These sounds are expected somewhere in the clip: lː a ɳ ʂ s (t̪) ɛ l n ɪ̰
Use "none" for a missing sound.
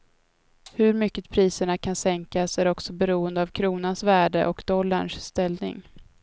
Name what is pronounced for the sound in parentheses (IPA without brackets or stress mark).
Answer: t̪